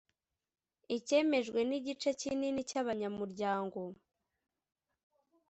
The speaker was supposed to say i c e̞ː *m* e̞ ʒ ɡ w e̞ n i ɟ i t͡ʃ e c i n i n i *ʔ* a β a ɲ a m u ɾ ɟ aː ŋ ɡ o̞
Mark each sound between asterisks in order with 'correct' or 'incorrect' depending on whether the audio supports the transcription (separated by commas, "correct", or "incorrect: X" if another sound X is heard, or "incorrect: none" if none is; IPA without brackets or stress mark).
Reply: correct, incorrect: c